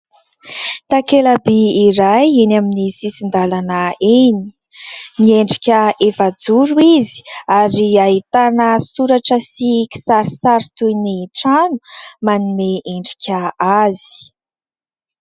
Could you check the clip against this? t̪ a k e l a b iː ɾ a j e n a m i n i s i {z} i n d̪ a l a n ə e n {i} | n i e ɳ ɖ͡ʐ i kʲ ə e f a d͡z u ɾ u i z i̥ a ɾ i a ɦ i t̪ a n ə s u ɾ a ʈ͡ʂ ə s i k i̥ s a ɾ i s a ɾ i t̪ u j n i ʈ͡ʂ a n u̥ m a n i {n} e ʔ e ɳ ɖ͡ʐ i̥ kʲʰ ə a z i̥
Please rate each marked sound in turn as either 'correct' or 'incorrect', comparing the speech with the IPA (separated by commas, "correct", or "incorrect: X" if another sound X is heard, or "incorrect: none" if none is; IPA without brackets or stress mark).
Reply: incorrect: s, correct, incorrect: m